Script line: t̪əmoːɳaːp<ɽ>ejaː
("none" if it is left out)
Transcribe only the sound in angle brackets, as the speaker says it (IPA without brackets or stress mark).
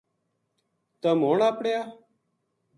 ɽ